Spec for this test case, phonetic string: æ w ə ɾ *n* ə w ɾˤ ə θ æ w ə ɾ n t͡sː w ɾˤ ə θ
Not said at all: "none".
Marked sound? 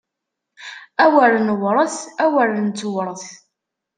n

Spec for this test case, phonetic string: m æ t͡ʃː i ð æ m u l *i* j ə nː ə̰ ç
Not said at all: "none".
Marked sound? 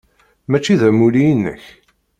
i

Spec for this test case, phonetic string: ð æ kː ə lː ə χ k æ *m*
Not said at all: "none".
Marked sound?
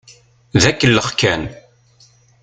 n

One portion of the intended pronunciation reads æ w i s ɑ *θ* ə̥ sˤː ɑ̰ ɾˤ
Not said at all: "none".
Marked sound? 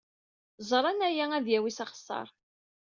χ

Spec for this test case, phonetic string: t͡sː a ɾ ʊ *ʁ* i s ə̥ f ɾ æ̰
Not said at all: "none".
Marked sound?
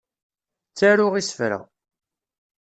ʁ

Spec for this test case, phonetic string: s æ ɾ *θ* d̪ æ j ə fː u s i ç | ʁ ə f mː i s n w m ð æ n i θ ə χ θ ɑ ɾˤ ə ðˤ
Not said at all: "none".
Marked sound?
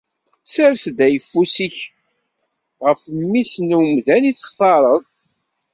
s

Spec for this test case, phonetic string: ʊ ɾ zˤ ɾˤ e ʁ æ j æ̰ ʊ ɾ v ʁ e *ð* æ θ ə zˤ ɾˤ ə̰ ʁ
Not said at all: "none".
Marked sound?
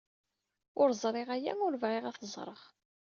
ʁ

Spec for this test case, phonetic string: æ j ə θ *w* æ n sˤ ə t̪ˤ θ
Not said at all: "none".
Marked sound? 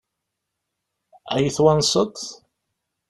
w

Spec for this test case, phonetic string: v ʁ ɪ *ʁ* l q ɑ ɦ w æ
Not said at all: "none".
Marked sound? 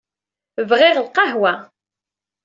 ʁ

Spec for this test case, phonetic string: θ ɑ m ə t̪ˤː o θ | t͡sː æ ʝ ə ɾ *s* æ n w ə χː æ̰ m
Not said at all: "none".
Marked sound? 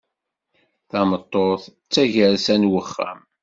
s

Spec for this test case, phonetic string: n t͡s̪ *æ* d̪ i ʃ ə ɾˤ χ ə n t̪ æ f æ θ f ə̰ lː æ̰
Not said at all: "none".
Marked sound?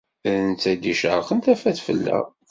æ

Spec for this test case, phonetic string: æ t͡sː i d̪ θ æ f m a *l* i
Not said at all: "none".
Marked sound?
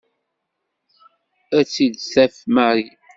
ɾ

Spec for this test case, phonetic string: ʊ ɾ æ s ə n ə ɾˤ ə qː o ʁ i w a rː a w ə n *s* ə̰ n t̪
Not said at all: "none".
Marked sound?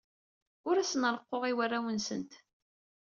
s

